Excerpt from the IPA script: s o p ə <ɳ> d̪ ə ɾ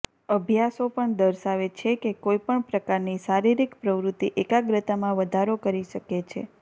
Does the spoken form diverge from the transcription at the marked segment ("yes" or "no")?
no